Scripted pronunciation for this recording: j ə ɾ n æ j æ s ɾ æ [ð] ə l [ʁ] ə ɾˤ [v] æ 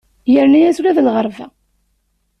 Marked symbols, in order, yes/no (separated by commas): yes, yes, yes